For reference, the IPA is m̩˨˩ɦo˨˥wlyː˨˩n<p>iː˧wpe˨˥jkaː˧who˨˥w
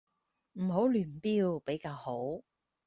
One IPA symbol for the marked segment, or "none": p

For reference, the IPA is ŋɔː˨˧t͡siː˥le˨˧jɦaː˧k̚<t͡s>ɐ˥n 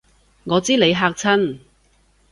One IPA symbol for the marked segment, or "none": t͡sʰ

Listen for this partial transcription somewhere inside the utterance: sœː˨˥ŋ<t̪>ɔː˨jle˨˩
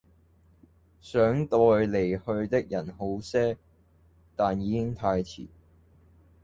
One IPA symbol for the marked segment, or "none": t̪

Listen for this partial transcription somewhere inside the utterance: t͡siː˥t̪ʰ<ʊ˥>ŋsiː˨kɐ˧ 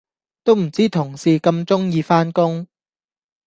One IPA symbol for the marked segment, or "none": ʊ˨˩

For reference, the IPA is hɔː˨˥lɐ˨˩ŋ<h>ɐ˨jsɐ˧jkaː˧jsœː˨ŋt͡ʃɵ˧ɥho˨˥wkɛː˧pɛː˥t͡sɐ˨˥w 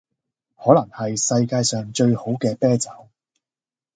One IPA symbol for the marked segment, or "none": h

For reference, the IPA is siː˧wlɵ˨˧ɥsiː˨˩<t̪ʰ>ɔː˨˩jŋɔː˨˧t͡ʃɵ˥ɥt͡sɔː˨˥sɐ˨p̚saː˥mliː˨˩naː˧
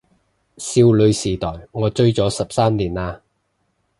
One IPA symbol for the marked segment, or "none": t̪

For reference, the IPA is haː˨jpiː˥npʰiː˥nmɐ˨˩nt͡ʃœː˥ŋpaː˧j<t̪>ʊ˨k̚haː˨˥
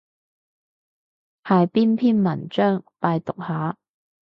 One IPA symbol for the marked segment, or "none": t̪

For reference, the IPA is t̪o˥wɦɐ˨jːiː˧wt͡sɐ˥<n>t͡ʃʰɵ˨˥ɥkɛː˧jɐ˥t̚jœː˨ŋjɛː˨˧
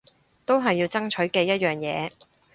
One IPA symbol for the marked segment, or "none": ŋ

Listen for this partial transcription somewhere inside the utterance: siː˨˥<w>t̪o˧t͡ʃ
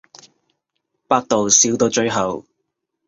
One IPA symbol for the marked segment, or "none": w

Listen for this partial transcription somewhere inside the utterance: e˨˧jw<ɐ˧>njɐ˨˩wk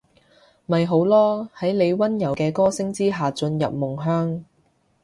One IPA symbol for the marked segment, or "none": ɐ˥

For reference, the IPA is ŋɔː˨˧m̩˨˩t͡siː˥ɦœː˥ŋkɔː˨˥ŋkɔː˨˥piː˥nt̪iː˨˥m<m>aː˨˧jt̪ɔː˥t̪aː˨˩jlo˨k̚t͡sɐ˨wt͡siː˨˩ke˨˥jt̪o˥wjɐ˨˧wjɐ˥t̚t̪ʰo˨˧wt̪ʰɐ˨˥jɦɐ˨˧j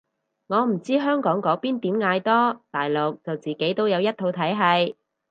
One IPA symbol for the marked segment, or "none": ŋ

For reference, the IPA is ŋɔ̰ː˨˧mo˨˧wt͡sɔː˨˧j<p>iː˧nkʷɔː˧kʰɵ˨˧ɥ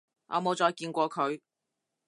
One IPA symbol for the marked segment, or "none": k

